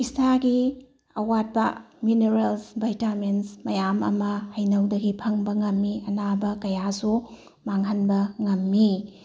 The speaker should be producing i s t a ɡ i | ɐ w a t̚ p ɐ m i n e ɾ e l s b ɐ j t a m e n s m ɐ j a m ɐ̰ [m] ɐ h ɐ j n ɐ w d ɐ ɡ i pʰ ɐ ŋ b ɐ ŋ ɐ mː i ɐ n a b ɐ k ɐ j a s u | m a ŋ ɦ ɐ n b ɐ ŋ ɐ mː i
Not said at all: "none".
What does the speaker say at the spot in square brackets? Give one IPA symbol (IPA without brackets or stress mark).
m